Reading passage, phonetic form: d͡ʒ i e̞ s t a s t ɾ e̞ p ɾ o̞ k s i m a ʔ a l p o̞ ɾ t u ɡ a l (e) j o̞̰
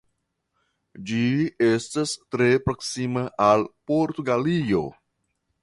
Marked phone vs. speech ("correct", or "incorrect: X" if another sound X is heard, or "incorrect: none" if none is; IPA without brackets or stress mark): incorrect: i